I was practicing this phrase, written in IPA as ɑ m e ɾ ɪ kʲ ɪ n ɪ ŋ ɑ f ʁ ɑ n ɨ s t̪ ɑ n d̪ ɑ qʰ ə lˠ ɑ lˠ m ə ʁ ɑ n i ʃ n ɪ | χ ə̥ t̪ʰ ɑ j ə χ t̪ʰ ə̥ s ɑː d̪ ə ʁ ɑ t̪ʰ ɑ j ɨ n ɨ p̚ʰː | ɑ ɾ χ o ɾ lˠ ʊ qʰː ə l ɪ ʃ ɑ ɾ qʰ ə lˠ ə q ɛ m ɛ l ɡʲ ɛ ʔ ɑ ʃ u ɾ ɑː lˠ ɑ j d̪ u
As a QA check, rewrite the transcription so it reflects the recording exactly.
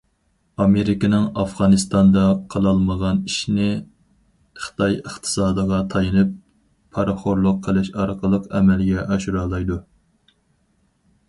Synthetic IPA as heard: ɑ m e ɾ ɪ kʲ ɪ n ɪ ŋ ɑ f ʁ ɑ n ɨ s t̪ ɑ n d̪ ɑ qʰ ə lˠ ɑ lˠ m ə ʁ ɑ n i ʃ n ɪ | χ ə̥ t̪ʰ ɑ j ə χ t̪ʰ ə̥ s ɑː d̪ ə ʁ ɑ t̪ʰ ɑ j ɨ n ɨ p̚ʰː | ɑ ɾ χ o ɾ lˠ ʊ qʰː ə l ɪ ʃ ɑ ɾ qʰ ə lˠ ə q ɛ m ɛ l ɡʲ ɛ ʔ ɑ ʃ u ɾ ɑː lˠ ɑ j d̪ u